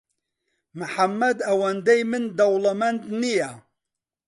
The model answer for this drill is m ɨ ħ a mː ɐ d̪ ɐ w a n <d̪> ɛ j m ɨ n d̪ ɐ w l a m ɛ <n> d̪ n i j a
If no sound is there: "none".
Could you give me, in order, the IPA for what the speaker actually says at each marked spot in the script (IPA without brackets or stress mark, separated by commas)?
d̪, n